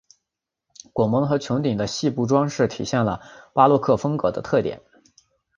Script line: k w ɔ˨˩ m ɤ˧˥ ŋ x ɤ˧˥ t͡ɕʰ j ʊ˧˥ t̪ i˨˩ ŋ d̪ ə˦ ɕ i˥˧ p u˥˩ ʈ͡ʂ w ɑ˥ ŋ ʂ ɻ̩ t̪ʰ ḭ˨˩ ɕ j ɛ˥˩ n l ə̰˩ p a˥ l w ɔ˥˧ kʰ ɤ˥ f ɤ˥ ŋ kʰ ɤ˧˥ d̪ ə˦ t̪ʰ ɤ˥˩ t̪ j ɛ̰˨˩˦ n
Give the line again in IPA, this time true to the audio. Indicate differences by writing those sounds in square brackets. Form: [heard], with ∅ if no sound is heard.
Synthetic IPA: k w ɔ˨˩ m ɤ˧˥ ŋ x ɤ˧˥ t͡ɕʰ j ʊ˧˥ t̪ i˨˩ ŋ d̪ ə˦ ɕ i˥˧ p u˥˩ ʈ͡ʂ w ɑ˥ ŋ ʂ ɻ̩ t̪ʰ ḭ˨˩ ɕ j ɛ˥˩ n l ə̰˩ p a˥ l w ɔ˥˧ kʰ [ɤ˥˩] f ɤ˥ ŋ [k] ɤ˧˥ d̪ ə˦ t̪ʰ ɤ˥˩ t̪ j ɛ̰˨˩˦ n